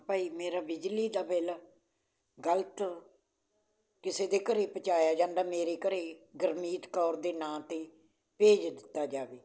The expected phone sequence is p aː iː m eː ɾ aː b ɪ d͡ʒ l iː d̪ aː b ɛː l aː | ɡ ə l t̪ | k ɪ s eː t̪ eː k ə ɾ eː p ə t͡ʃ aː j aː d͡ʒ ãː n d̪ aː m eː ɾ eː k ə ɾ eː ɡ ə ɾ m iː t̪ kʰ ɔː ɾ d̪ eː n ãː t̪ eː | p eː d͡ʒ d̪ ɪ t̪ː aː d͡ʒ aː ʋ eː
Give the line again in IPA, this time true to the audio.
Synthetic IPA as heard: p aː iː m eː ɾ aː b ɪ d͡ʒ l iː d̪ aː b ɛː l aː | ɡ ə l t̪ | k ɪ s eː d̪ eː k ə ɾ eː p ə t͡ʃ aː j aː d͡ʒ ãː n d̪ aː m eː ɾ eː k ə ɾ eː ɡ ə ɾ m iː t̪ k ɔː ɾ d̪ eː n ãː t̪ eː | p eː d͡ʒ d̪ ɪ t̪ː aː d͡ʒ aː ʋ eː